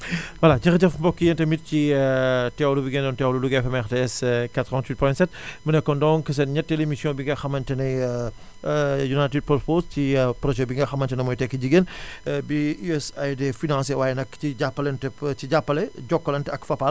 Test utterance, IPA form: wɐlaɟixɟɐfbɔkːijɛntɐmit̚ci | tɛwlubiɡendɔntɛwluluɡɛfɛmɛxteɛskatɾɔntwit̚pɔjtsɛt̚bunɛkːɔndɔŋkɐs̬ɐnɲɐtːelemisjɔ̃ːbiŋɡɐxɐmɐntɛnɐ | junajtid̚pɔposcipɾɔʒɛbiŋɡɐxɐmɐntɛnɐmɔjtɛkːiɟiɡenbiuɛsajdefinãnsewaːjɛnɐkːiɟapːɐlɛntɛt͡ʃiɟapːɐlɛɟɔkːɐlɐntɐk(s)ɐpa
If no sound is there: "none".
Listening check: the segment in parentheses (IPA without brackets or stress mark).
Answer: f